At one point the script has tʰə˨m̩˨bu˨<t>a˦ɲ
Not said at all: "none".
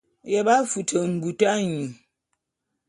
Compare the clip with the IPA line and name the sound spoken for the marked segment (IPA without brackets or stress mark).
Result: t